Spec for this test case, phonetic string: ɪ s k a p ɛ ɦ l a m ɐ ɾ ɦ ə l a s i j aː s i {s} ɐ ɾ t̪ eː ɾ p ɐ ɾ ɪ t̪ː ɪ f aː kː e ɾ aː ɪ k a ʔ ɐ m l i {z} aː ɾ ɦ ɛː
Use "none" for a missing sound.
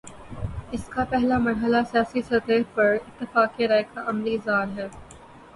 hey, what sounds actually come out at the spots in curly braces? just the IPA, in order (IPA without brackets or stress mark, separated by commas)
s, z